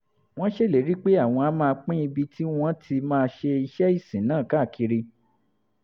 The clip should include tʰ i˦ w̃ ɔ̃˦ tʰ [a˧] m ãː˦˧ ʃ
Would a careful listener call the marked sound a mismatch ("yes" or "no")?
yes